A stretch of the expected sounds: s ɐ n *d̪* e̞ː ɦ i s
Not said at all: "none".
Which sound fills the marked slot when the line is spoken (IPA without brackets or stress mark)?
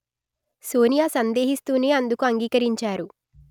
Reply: d̪